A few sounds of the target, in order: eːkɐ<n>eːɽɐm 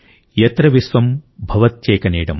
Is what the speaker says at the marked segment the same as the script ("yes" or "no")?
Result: yes